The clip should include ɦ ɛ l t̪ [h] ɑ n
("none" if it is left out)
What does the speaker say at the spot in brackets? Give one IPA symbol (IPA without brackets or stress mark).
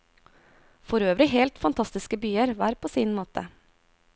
f